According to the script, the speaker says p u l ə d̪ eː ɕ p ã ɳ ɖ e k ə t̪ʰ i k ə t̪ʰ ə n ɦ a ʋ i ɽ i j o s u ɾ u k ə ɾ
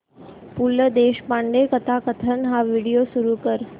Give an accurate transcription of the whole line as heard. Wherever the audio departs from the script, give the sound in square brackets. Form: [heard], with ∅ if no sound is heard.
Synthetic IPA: p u l ə d̪ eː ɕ p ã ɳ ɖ e k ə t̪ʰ [a] k ə t̪ʰ ə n ɦ a ʋ i ɽ i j o s u ɾ u k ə ɾ